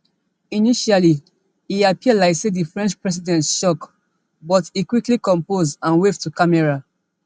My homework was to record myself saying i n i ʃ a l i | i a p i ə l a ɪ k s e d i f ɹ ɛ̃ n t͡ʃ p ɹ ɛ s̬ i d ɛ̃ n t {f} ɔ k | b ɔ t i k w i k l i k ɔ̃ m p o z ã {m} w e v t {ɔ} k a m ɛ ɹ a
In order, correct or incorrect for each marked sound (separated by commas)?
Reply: incorrect, incorrect, incorrect